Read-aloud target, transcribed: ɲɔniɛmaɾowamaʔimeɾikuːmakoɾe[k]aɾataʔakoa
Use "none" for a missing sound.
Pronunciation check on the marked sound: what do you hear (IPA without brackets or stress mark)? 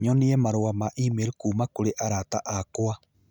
ʔ